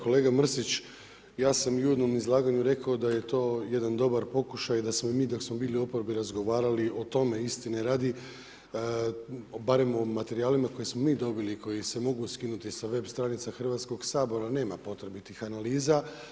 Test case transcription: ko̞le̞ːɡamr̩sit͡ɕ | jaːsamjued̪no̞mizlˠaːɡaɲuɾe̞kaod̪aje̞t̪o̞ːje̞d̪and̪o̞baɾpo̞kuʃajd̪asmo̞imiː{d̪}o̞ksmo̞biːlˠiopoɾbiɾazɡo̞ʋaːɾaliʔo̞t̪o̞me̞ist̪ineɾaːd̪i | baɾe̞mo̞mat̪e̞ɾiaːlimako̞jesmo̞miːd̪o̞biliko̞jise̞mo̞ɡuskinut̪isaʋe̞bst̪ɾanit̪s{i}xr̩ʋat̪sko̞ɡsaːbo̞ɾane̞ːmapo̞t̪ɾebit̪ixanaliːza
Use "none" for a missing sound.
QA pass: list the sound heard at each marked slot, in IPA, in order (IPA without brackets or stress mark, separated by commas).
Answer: d̪, a